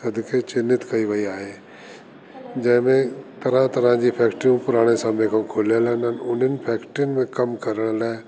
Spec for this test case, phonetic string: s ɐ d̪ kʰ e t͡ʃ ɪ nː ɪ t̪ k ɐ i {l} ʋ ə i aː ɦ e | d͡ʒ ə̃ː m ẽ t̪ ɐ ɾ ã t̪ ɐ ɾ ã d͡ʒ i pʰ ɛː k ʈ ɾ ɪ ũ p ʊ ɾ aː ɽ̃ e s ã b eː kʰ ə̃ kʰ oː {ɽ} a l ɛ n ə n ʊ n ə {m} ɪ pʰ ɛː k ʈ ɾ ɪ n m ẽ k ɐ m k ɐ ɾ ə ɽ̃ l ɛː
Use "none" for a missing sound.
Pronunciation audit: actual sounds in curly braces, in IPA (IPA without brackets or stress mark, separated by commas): none, l, n